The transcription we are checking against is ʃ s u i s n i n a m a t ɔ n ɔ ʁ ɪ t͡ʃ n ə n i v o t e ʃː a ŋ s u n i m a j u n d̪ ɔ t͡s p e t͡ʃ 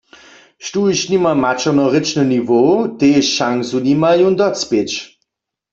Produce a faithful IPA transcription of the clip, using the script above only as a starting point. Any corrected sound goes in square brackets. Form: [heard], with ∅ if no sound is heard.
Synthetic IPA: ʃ [t] u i [ʃ] n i [m] a m a [t͡ʃ] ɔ n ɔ ʁ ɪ t͡ʃ n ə n i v o t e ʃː a ŋ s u n i m a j u n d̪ ɔ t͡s p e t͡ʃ